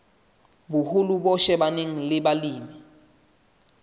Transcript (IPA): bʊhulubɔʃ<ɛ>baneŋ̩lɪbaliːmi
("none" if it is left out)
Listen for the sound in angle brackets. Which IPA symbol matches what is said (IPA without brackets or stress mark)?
ɛ